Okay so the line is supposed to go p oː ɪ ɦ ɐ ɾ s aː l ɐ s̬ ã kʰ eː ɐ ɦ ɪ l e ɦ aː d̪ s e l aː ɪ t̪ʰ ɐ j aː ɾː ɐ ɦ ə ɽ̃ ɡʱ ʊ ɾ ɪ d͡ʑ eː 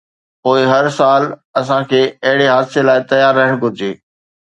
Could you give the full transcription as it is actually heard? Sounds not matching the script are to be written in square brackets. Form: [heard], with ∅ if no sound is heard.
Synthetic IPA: p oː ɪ ɦ ɐ ɾ s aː l ɐ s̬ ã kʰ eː ɐ ɦ ɪ [ɽ] e ɦ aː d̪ s e l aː ɪ [t̪] ɐ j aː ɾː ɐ ɦ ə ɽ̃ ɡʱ ʊ ɾ ɪ d͡ʑ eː